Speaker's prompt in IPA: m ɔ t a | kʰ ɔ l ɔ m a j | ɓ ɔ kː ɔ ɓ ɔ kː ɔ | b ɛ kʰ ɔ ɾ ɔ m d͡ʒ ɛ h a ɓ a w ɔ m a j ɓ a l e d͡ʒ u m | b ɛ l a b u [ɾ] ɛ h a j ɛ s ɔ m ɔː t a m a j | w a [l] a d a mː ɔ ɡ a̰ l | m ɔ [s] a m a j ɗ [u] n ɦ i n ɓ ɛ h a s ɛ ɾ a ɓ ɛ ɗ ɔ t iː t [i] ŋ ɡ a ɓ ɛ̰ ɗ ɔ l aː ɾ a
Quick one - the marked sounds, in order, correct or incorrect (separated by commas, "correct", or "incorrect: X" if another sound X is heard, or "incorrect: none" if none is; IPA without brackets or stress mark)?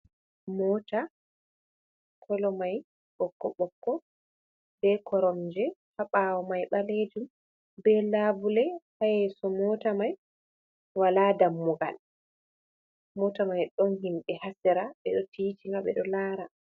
incorrect: l, correct, incorrect: t, incorrect: ɔ, correct